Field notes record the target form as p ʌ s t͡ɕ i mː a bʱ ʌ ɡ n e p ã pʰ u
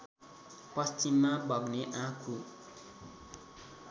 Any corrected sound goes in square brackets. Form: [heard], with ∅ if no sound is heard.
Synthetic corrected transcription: p ʌ s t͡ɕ i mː a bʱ ʌ ɡ n e [ʔ] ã [kʰ] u